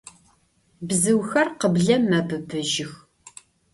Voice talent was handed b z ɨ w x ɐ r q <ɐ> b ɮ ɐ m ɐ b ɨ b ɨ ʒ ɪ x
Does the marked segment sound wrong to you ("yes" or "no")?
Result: yes